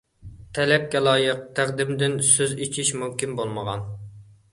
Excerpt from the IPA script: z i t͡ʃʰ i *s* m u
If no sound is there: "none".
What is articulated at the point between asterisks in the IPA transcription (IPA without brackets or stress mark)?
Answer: ʃ